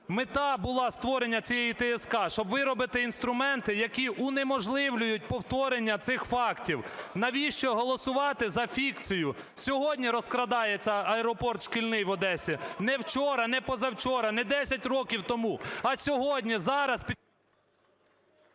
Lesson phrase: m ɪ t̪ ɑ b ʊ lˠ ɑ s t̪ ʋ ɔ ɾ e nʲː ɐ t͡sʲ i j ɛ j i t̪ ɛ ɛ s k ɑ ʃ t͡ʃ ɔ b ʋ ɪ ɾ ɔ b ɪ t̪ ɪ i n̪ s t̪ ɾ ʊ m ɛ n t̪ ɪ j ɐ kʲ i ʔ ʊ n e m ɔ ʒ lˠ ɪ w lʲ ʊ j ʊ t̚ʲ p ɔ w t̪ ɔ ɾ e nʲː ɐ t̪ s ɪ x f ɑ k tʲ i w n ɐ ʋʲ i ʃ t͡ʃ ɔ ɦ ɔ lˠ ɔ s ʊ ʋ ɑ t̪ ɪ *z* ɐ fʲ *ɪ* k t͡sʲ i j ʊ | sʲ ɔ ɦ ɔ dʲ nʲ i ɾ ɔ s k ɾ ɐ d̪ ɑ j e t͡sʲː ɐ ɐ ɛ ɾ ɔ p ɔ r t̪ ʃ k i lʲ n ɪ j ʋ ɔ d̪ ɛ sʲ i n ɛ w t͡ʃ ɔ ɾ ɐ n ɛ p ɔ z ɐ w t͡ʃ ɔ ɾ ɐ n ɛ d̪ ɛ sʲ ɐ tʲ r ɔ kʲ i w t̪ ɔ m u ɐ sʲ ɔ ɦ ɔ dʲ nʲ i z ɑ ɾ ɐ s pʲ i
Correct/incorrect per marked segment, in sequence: correct, incorrect: i

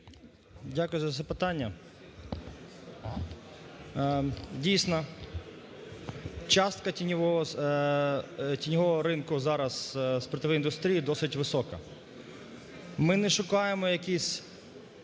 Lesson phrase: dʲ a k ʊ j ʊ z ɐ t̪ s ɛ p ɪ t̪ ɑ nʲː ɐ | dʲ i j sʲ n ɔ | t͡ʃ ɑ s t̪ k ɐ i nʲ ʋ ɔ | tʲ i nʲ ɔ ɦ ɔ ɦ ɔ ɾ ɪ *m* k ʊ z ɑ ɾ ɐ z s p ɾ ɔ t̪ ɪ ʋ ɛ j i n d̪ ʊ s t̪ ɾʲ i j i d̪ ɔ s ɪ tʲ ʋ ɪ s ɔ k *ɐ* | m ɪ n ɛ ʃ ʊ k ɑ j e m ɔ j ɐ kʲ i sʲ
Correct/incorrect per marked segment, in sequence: incorrect: n, correct

